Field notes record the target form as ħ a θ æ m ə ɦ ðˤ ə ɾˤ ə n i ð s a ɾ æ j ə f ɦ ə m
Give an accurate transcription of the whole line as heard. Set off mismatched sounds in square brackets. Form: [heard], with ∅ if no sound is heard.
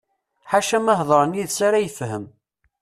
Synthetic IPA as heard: ħ a [ʃ] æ m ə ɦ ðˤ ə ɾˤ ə n i ð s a ɾ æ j ə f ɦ ə m